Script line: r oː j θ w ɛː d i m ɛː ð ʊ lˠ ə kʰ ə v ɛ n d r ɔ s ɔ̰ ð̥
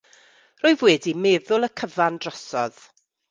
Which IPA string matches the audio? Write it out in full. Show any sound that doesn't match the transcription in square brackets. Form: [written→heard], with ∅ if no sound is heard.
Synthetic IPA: r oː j [θ→ð] w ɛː d i m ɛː ð ʊ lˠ ə kʰ ə v [ɛ→a] n d r ɔ s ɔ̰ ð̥